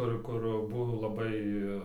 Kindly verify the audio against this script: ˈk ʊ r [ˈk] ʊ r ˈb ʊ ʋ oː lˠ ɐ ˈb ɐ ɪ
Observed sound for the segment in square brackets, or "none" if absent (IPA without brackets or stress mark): k